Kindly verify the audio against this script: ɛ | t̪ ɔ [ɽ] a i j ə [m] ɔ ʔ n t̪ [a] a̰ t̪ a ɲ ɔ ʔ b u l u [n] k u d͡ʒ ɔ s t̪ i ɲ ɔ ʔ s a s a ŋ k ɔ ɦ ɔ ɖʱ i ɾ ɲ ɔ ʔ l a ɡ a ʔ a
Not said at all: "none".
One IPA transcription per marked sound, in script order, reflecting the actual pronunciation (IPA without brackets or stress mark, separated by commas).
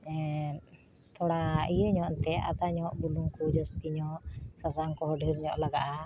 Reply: ɽ, ɲ, ɛ, ŋ